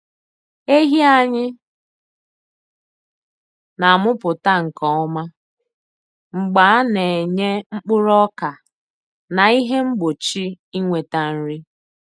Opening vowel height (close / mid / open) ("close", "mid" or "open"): mid